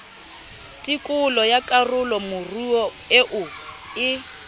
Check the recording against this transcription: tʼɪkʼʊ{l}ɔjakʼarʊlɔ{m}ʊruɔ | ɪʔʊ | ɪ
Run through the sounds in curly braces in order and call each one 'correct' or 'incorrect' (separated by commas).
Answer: correct, correct